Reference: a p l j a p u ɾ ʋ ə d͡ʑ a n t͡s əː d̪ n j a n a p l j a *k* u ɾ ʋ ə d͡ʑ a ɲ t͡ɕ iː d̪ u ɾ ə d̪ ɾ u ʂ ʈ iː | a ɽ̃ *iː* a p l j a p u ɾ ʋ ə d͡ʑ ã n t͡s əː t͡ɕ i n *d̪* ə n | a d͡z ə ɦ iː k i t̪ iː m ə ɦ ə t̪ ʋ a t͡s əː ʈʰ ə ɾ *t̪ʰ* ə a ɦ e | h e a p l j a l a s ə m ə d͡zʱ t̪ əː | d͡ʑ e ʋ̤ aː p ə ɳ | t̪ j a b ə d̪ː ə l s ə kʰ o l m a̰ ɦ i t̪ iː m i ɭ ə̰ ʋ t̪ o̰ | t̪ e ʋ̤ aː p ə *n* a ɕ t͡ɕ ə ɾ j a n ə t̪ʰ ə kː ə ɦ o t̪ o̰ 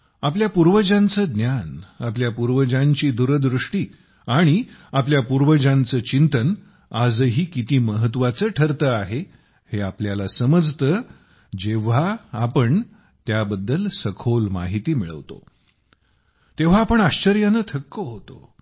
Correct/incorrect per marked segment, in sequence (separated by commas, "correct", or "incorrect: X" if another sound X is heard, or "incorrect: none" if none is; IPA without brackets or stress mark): incorrect: p, incorrect: i, incorrect: t̪, incorrect: t̪, incorrect: ɳ